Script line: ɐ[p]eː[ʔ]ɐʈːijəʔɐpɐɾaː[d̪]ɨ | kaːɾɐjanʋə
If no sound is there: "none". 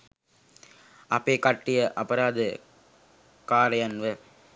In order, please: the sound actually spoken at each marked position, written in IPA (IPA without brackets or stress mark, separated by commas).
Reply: p, k, d̪